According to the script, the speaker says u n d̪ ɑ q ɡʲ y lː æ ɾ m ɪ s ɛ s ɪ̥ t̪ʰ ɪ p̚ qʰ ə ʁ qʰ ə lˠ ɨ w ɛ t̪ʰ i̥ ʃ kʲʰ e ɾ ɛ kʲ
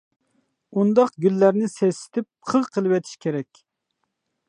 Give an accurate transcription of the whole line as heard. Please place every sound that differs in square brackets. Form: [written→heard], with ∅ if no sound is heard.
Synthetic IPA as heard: u n d̪ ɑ q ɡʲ y lː æ ɾ [m→n] ɪ s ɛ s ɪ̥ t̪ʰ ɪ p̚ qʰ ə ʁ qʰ ə lˠ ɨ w ɛ t̪ʰ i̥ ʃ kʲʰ e ɾ ɛ kʲ

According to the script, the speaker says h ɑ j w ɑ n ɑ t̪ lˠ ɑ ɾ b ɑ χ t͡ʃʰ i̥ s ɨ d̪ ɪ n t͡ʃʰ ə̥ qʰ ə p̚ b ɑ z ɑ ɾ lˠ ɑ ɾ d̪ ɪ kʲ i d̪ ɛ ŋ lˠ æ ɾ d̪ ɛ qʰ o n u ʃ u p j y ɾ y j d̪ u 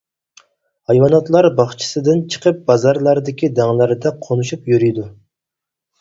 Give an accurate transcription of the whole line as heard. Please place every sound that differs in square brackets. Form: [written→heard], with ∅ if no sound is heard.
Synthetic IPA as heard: h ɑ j w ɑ n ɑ t̪ lˠ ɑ ɾ b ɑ χ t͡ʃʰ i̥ s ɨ d̪ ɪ n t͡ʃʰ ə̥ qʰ ə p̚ b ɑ z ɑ ɾ lˠ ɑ ɾ d̪ ɪ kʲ i d̪ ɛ ŋ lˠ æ ɾ d̪ ɛ qʰ o n u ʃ u p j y ɾ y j d̪ u

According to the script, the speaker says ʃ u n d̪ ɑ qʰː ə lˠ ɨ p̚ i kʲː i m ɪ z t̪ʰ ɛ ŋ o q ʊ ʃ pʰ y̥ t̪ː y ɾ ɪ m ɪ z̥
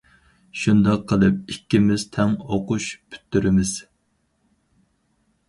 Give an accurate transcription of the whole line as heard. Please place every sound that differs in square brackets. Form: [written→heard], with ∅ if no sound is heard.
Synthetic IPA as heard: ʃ u n d̪ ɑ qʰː ə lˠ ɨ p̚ i kʲː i m ɪ z t̪ʰ ɛ ŋ o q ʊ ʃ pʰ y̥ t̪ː y ɾ ɪ m ɪ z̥

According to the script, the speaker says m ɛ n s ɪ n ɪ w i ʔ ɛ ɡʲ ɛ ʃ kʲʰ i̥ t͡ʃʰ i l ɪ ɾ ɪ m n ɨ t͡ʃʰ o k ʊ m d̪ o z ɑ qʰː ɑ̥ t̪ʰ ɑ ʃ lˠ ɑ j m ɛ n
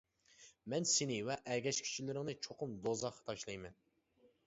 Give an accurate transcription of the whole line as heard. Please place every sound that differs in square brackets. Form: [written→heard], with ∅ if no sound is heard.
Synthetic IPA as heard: m ɛ n s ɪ n ɪ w [i→ɛ] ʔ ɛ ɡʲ ɛ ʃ kʲʰ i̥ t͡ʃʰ i l ɪ ɾ ɪ [m→ŋ] n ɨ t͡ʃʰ o [k→q] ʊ m d̪ o z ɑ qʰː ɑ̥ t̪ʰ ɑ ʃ lˠ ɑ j m ɛ n

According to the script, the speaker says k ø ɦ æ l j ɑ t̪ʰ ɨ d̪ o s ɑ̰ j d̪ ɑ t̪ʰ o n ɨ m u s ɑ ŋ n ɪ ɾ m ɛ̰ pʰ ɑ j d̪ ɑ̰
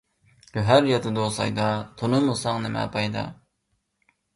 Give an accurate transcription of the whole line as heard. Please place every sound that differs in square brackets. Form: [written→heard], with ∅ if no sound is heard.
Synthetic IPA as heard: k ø ɦ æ [l→ɾ] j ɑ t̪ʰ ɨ d̪ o s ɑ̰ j d̪ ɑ t̪ʰ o n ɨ m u s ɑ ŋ n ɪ [ɾ→∅] m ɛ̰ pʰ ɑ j d̪ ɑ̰

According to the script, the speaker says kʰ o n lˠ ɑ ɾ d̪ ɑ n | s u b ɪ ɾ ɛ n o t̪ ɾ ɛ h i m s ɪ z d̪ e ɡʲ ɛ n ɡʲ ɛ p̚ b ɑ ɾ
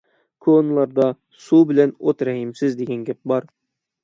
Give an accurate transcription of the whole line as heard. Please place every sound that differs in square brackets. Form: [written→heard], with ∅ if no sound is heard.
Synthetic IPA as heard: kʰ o n lˠ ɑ ɾ d̪ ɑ [n→∅] | s u b ɪ [ɾ→l] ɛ n o t̪ ɾ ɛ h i m s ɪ z d̪ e ɡʲ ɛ n ɡʲ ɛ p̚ b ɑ ɾ

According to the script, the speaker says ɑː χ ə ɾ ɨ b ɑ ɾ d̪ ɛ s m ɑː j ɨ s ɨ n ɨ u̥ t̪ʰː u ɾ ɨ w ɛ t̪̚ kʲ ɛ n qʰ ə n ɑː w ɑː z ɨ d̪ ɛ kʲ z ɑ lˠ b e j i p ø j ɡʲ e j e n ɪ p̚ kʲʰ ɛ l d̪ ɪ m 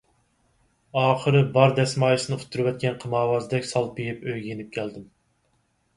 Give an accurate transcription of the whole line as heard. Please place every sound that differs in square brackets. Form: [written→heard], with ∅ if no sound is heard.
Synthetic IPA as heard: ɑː χ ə ɾ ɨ b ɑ ɾ d̪ ɛ s m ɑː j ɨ s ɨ n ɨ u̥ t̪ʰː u ɾ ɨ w ɛ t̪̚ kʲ ɛ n qʰ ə [n→m] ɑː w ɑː z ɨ d̪ ɛ kʲ [z→s] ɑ lˠ b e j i p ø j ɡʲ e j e n ɪ p̚ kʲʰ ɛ l d̪ ɪ m

